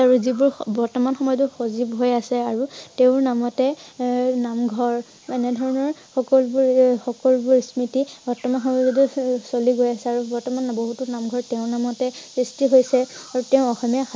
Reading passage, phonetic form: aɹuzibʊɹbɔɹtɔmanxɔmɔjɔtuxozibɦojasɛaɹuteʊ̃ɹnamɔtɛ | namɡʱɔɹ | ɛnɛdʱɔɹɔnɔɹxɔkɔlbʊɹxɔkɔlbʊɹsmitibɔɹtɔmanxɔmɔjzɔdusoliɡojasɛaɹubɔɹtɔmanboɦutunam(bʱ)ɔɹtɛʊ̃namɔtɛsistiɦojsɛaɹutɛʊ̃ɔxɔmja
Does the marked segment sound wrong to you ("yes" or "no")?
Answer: yes